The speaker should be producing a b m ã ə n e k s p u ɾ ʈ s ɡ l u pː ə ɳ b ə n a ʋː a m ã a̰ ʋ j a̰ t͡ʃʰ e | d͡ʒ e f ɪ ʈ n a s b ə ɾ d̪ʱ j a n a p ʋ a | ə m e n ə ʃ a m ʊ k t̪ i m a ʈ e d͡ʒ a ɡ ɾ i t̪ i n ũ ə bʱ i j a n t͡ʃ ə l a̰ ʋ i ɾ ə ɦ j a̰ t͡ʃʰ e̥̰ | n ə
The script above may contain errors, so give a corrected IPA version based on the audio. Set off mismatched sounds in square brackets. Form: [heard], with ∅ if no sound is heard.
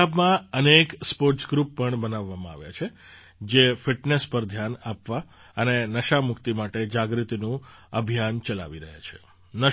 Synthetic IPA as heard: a b m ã ə n e k s p [o] ɾ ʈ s ɡ [ɾ] u pː ə ɳ b ə n a ʋː a m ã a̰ ʋ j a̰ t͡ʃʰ e | d͡ʒ e f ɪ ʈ n [e] s [p] ə ɾ d̪ʱ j a n a p ʋ a | ə [n] e n ə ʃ a m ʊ k t̪ i m a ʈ e d͡ʒ a ɡ ɾ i t̪ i n ũ ə bʱ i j a n t͡ʃ ə l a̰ ʋ i ɾ ə ɦ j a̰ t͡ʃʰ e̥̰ | n ə

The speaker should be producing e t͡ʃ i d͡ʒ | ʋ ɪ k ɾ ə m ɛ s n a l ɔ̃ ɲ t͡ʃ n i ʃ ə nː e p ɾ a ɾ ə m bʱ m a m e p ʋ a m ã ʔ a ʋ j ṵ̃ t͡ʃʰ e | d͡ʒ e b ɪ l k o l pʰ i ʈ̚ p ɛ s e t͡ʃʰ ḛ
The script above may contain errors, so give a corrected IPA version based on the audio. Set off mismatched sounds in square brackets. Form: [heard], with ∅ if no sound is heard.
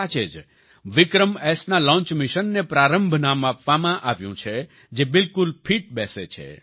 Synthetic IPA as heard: [a] t͡ʃ [e] d͡ʒ | ʋ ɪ k ɾ ə m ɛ s n a l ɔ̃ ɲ t͡ʃ [m] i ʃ ə nː e p ɾ a ɾ ə m bʱ [n] a m [a] p ʋ a m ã ʔ a ʋ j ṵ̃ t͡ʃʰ e | d͡ʒ e b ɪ l k [u] l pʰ i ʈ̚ [b] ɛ s e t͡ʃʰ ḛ

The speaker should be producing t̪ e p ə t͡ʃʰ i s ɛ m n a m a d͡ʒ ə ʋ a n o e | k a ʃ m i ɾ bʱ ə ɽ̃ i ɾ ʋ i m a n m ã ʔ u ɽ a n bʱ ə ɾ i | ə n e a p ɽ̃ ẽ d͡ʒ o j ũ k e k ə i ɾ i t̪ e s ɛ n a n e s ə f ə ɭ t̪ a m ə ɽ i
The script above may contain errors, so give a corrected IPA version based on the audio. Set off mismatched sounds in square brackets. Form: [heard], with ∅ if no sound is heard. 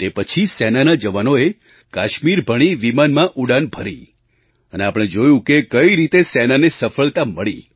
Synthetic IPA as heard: t̪ e p ə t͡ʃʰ i s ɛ [∅] n a [n] a d͡ʒ ə ʋ a n o e | k a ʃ m i ɾ bʱ ə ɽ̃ i [∅] ʋ i m a n m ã ʔ u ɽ a n bʱ ə ɾ i | ə n e a p ɽ̃ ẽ d͡ʒ o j ũ k e k ə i ɾ i t̪ e s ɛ n a n e s ə f ə ɭ t̪ a m ə [ɭ] i

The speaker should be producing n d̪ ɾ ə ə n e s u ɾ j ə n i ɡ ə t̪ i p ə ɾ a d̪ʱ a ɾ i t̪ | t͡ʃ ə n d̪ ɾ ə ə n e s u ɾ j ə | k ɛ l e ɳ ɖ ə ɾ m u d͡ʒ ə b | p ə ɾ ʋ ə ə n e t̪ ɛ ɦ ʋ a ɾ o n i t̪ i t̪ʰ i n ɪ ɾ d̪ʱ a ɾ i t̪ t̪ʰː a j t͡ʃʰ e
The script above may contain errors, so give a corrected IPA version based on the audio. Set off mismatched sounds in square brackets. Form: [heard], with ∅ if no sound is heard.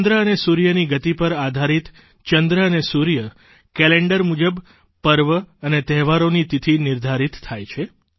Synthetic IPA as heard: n d̪ ɾ ə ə n e s u ɾ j ə n i ɡ ə t̪ i p ə ɾ a d̪ʱ a ɾ i t̪ | t͡ʃ ə n d̪ ɾ ə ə n e s u ɾ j ə | k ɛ l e ɳ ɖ ə ɾ m u d͡ʒ ə b | p ə ɾ ʋ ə ə n e t̪ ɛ ɦ ʋ a ɾ o n i t̪ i t̪ʰ i n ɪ ɾ d̪ʱ a ɾ i t̪ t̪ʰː a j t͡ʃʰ e

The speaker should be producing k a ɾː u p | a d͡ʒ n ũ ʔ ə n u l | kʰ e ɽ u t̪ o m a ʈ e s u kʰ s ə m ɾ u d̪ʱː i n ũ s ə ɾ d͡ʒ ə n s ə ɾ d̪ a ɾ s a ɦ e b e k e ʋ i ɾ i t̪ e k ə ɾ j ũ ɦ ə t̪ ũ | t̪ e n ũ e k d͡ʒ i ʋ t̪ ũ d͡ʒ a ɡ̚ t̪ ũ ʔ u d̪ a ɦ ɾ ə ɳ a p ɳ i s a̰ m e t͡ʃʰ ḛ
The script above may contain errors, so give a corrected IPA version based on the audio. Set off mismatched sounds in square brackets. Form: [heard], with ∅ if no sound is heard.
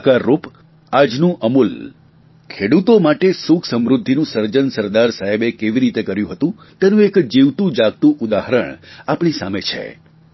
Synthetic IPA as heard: k a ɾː u p | a d͡ʒ n ũ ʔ ə [m] u l | kʰ e ɽ u t̪ o m a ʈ e s u kʰ s ə m ɾ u d̪ʱː i n ũ s ə ɾ d͡ʒ ə n s ə ɾ d̪ a ɾ s a ɦ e b e k e ʋ i ɾ i t̪ e k ə ɾ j ũ ɦ ə t̪ ũ | t̪ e n ũ e k d͡ʒ i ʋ t̪ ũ d͡ʒ a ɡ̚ t̪ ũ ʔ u d̪ a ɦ ɾ ə ɳ a p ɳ i s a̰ m e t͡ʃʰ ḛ

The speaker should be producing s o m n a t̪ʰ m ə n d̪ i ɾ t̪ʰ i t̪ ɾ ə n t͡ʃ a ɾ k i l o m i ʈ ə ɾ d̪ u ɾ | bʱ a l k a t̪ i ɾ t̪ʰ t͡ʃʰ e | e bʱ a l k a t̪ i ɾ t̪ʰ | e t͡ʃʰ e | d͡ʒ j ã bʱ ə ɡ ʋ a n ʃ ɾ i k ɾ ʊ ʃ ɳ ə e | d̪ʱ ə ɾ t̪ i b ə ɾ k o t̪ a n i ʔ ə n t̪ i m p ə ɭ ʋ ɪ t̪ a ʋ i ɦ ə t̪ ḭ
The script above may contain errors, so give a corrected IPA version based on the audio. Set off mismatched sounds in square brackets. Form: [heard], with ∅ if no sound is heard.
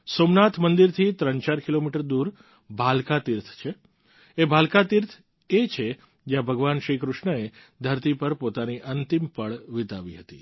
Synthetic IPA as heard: s o m n a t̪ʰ m ə n d̪ i ɾ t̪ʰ i t̪ ɾ ə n t͡ʃ a ɾ k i l o m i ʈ ə ɾ d̪ u ɾ | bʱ a l k a t̪ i ɾ t̪ʰ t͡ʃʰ e | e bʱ a l k a t̪ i ɾ t̪ʰ | e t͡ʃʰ e | d͡ʒ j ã bʱ ə ɡ ʋ a n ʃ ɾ i k ɾ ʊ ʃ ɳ ə e | d̪ʱ ə ɾ t̪ i [p] ə ɾ [p] o t̪ a n i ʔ ə n t̪ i m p ə ɭ ʋ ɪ t̪ a ʋ i ɦ ə t̪ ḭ

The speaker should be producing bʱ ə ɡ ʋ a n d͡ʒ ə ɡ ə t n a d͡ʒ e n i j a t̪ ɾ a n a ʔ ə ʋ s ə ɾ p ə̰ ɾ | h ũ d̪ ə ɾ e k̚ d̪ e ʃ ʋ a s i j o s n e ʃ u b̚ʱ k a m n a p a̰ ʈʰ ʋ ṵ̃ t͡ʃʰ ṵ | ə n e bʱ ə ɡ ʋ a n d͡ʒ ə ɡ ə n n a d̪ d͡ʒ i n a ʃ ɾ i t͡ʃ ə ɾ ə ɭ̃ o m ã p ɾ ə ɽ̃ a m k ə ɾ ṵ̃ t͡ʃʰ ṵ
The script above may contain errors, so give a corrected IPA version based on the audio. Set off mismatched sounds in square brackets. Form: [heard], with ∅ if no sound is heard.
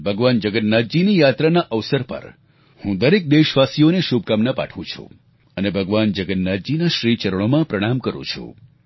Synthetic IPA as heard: bʱ ə ɡ ʋ a n d͡ʒ ə ɡ ə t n a d͡ʒ [i] n i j a t̪ ɾ a n a ʔ ə ʋ s ə ɾ p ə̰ ɾ | h ũ d̪ ə ɾ e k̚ d̪ e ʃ ʋ a s i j o [∅] n e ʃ u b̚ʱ k a m n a p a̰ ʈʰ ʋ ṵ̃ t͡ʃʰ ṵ | ə n e bʱ ə ɡ ʋ a n d͡ʒ ə ɡ ə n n a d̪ d͡ʒ i n a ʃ ɾ i t͡ʃ ə ɾ ə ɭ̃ o m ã p ɾ ə ɽ̃ a m k ə ɾ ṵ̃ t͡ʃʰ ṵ

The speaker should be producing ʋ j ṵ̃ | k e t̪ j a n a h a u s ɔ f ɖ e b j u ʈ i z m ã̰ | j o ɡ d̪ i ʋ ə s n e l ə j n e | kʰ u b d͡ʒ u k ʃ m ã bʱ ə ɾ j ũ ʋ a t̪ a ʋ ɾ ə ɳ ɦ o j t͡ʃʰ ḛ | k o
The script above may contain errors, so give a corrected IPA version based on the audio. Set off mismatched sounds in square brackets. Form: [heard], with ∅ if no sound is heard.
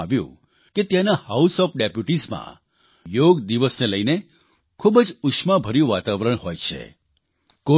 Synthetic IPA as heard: ʋ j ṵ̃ | k e t̪ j a n a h a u s ɔ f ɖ e [p] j u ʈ i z m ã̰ | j o ɡ d̪ i ʋ ə s n e l ə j n e | kʰ u b d͡ʒ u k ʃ m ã bʱ ə ɾ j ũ ʋ a t̪ a ʋ ɾ ə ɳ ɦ o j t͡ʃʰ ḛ | k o

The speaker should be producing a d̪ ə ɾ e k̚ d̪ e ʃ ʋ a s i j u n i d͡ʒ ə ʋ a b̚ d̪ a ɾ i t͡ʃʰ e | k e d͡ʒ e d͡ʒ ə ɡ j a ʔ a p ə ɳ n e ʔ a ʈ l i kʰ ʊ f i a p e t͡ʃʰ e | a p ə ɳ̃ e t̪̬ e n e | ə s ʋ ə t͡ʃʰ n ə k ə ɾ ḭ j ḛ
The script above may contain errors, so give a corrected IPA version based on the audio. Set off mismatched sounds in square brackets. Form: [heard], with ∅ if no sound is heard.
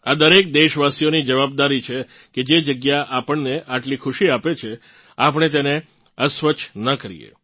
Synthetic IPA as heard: a d̪ ə ɾ e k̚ d̪ e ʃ ʋ a s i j [o] n i d͡ʒ ə ʋ a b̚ d̪ a ɾ i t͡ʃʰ e | k e d͡ʒ e d͡ʒ ə ɡ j a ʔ a p ə ɳ n e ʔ a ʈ l i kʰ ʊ [ʃ] i a p e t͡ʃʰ e | a p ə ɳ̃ e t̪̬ e n e | ə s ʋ ə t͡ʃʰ n ə k ə ɾ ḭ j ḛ

